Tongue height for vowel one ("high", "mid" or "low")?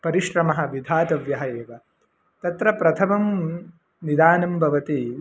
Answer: low